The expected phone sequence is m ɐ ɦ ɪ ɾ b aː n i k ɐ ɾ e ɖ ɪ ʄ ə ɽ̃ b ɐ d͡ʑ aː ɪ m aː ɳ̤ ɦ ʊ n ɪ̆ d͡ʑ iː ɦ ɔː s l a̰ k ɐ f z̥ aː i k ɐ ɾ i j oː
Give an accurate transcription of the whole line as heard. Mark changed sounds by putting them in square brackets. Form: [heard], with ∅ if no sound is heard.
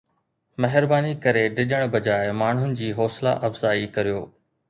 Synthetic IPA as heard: m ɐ ɦ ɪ ɾ b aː n i k ɐ ɾ e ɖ ɪ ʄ ə ɽ̃ b ɐ d͡ʑ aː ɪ m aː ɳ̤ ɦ ʊ n ɪ̆ d͡ʑ iː ɦ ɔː s l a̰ [ʔ] ɐ f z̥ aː i k ɐ ɾ i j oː